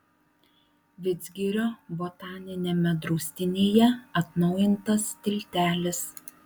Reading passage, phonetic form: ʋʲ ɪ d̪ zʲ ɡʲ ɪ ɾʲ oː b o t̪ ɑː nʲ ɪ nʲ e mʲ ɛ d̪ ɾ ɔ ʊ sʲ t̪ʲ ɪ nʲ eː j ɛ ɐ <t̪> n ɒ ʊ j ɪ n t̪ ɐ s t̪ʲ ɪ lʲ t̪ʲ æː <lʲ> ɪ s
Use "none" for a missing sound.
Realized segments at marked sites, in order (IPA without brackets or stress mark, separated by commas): t̪, lʲ